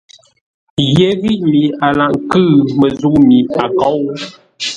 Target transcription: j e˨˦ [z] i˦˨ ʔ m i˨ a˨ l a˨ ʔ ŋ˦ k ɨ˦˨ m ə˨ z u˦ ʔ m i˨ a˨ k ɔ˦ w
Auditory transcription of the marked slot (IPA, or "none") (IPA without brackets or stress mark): ɣ